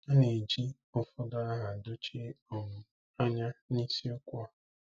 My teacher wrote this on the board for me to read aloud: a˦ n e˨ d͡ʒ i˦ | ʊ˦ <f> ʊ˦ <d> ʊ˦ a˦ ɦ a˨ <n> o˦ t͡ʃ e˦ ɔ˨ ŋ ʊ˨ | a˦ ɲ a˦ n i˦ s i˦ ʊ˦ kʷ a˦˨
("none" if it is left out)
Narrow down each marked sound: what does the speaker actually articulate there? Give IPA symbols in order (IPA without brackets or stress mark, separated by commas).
f, d, d